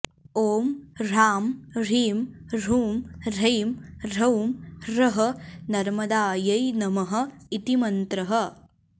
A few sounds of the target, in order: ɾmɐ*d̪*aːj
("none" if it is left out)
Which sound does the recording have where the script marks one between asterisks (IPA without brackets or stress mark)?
d̪